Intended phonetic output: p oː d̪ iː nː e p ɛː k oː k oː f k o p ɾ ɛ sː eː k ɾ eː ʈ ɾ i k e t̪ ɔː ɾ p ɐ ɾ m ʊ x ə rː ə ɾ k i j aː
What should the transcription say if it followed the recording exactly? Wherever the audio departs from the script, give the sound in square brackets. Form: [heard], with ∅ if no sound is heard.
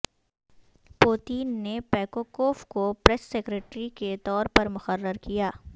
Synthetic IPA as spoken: p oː [t̪] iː nː e p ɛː k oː k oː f k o p ɾ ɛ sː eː k ɾ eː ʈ ɾ i k e t̪ ɔː ɾ p ɐ ɾ m ʊ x ə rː ə ɾ k i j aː